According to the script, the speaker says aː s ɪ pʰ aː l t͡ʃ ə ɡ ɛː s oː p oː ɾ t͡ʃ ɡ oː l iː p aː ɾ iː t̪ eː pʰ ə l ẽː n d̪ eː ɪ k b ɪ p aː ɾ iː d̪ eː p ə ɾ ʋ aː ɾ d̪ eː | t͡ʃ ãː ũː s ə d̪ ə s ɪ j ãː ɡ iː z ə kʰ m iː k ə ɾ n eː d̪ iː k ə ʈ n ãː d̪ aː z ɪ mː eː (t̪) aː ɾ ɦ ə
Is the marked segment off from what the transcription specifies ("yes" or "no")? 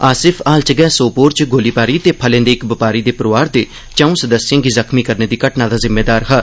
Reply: yes